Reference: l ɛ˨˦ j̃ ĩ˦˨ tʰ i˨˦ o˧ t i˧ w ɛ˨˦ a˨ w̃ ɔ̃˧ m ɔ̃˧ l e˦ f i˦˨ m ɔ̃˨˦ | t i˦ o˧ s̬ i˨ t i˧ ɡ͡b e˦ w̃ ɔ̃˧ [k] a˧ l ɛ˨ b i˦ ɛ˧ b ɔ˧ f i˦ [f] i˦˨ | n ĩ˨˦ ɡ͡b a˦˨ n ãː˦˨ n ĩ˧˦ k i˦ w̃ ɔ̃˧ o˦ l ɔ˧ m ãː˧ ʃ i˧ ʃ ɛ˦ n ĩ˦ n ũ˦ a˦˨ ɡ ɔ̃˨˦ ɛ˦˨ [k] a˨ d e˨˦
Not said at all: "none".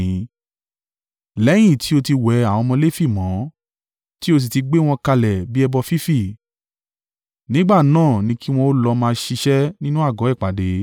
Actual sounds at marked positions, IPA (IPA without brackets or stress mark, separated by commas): k, f, k͡p